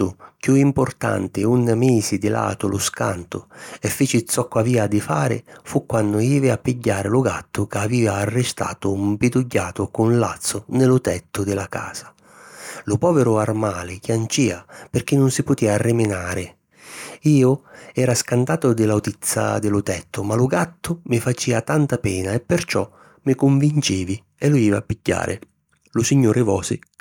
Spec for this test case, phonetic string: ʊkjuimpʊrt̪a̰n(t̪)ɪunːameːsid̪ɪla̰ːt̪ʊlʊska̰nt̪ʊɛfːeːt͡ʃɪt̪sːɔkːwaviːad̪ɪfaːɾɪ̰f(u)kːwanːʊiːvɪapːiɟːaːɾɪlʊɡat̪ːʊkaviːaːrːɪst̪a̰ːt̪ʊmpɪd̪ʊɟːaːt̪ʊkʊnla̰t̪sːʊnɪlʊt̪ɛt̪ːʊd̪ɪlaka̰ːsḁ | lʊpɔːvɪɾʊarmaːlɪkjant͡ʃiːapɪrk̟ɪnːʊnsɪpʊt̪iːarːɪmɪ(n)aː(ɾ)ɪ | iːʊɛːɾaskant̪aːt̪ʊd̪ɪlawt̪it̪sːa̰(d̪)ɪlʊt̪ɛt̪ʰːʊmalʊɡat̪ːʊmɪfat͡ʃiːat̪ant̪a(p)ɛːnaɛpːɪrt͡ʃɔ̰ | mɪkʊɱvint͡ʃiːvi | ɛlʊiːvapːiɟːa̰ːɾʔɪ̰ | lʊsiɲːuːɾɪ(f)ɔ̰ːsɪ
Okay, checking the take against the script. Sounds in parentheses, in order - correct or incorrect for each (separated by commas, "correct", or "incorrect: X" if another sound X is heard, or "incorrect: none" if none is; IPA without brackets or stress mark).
correct, correct, correct, correct, correct, correct, incorrect: v